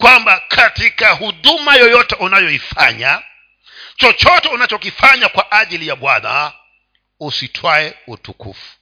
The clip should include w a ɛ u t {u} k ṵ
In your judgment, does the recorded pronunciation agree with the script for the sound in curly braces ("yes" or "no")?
yes